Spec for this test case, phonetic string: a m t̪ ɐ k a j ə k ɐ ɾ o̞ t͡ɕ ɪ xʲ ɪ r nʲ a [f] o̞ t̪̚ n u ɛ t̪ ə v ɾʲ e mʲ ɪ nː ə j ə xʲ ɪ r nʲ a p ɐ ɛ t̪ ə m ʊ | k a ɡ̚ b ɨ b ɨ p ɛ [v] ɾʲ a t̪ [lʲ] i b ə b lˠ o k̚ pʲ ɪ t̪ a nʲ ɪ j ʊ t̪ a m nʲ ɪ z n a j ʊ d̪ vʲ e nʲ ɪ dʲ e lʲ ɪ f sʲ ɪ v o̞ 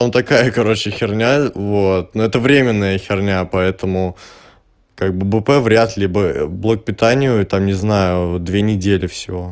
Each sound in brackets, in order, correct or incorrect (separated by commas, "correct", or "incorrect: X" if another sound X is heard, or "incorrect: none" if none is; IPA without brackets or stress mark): incorrect: v, correct, correct